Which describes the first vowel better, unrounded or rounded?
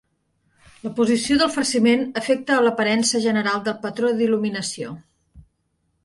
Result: unrounded